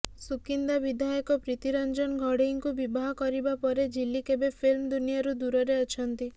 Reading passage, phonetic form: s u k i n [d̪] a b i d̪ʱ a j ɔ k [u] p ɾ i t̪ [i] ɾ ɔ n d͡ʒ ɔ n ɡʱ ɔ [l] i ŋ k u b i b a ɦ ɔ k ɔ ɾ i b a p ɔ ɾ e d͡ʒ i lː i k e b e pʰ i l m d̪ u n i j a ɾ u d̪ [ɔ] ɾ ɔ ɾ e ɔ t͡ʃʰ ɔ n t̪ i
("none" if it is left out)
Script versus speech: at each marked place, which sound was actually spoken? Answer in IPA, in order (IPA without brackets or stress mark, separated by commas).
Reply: d̪, ɔ, i, ɽ, u